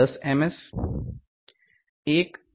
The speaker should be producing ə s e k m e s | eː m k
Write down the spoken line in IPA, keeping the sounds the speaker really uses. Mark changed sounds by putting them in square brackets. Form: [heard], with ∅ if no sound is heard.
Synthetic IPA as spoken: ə s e [∅] m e s | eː [∅] k